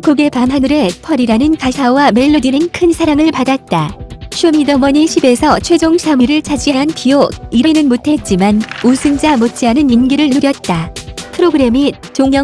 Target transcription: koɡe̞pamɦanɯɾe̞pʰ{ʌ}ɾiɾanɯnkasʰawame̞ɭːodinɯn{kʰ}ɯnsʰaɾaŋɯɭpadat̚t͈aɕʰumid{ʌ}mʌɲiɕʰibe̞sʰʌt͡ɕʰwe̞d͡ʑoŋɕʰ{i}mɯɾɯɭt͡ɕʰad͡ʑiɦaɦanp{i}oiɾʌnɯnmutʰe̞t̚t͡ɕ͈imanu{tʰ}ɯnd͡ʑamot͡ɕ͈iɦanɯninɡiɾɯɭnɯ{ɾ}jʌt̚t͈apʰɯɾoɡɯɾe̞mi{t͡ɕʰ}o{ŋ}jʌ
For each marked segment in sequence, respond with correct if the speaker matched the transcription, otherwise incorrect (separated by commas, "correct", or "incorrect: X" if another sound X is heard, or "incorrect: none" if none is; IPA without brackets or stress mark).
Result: correct, correct, correct, incorrect: a, correct, incorrect: sʰ, correct, incorrect: t͡ɕ, correct